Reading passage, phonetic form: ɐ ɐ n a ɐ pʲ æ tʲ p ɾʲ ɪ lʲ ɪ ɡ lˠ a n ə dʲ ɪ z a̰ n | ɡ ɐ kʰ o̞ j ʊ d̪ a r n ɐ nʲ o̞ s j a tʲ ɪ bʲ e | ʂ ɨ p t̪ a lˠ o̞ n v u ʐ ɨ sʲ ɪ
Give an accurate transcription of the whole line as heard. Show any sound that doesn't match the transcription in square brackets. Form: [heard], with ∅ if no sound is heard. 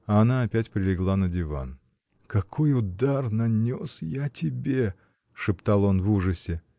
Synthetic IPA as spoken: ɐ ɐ n a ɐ pʲ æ tʲ p ɾʲ ɪ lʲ ɪ ɡ lˠ a n ə dʲ ɪ [v] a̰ n | [k] ɐ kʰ o̞ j ʊ d̪ a r n ɐ nʲ o̞ s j a tʲ ɪ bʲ e | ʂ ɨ p t̪ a lˠ o̞ n v u ʐ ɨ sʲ ɪ